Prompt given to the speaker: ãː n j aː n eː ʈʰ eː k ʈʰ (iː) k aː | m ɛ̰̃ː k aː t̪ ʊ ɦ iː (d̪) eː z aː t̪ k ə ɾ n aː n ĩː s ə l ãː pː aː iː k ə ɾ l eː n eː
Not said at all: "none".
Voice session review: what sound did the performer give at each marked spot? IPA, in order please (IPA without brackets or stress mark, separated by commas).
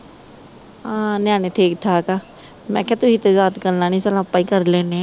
aː, t̪